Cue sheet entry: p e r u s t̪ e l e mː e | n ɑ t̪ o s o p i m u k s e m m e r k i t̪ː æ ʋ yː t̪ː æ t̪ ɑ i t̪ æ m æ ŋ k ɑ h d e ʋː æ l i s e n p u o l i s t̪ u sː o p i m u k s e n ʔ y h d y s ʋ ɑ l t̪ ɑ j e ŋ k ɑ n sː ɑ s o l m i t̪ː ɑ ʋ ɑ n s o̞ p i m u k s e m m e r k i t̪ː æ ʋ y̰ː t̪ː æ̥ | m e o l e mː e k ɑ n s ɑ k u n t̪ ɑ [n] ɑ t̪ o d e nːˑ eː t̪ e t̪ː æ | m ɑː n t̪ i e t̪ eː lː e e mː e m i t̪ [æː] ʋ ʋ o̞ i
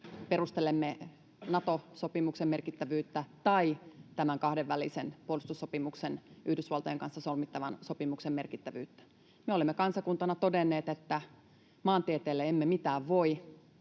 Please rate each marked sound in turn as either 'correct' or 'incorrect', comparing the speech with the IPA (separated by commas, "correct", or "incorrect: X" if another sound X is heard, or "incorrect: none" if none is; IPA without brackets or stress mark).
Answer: correct, correct